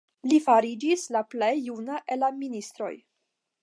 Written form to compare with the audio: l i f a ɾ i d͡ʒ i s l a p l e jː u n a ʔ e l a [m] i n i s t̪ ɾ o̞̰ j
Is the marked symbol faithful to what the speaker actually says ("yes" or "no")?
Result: yes